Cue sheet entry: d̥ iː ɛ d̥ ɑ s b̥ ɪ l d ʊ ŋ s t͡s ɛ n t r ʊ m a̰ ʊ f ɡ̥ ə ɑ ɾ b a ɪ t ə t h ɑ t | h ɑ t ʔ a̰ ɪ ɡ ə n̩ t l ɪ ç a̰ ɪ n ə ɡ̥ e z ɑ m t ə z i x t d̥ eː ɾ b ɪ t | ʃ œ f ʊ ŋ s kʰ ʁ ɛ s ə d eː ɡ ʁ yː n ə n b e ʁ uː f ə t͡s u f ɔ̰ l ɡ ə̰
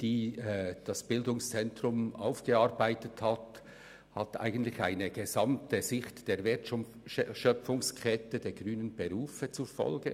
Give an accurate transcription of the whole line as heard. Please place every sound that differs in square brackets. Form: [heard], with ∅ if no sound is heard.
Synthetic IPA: d̥ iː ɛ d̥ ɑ s b̥ ɪ l d ʊ ŋ s t͡s ɛ n t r ʊ m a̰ ʊ f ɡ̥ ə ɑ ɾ b a ɪ t ə t h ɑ t | h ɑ t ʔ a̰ ɪ ɡ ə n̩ t l ɪ ç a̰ ɪ n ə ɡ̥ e z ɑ m t ə z [ɪ] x t d̥ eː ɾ [v] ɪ t | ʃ œ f ʊ ŋ s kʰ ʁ ɛ [t] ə d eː ɡ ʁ yː n ə n b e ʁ uː f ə t͡s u f ɔ̰ l ɡ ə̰